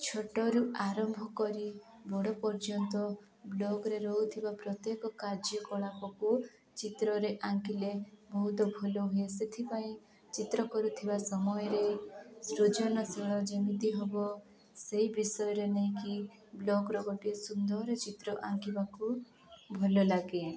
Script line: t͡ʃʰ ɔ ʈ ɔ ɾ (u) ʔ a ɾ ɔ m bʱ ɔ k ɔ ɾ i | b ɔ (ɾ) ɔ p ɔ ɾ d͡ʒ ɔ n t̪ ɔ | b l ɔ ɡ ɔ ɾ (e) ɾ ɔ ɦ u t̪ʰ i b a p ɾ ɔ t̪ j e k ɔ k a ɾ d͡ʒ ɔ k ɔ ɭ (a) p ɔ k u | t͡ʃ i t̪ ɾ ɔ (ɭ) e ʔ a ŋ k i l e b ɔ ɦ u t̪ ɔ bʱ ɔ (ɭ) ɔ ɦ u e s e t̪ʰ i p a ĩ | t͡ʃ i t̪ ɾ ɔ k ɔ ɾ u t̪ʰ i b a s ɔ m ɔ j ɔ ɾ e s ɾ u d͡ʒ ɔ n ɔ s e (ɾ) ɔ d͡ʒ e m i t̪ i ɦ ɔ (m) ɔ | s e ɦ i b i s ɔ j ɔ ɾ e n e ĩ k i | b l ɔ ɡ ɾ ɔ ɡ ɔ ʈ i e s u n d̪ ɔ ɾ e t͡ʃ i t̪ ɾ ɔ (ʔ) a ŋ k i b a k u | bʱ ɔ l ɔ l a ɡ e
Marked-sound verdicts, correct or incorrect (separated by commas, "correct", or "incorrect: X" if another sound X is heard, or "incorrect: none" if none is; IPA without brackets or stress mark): correct, incorrect: ɽ, correct, correct, incorrect: ɾ, incorrect: l, incorrect: ɭ, incorrect: b, correct